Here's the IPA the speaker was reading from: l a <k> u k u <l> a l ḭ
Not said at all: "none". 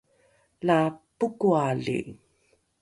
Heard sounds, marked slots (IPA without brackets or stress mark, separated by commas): p, none